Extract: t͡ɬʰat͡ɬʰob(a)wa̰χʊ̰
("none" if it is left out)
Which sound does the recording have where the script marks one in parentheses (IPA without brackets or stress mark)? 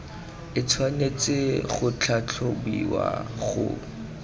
i